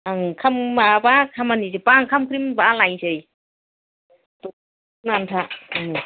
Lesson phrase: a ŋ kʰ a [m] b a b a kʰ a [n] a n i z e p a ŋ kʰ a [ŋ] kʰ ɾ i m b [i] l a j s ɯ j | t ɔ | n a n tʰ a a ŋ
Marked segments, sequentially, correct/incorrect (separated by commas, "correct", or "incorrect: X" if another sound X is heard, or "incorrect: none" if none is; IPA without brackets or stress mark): correct, incorrect: m, incorrect: m, incorrect: a